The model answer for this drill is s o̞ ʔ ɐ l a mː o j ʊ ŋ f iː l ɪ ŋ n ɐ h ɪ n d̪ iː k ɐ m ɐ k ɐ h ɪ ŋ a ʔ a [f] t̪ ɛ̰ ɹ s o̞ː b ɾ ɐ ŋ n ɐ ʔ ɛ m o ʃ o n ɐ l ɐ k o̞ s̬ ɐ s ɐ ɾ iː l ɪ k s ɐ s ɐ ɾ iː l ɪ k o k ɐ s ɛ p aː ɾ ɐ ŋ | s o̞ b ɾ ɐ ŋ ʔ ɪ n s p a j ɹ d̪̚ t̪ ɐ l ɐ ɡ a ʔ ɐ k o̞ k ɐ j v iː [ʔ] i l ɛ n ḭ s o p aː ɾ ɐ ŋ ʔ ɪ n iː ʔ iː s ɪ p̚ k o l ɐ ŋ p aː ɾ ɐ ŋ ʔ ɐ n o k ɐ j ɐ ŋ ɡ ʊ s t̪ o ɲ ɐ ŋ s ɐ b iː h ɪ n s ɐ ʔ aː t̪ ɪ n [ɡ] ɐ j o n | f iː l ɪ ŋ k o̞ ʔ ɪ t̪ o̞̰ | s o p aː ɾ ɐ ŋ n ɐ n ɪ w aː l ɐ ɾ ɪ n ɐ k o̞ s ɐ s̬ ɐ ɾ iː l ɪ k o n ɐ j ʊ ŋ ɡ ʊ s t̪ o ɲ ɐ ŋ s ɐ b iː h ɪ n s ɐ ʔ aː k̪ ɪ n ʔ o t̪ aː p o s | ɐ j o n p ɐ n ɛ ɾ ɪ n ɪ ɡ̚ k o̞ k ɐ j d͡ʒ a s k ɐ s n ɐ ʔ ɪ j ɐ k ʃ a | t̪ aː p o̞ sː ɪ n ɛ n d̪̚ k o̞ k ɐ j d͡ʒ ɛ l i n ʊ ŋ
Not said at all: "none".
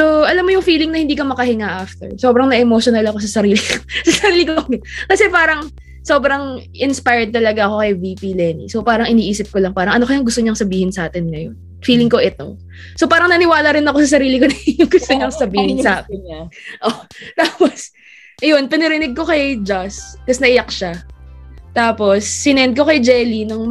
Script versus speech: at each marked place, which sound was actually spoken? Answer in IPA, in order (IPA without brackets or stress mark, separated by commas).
f, p, ŋ